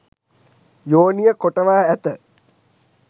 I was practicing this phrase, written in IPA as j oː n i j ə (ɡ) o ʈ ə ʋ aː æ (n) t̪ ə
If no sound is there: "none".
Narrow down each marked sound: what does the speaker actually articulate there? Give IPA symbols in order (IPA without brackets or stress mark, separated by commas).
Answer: k, none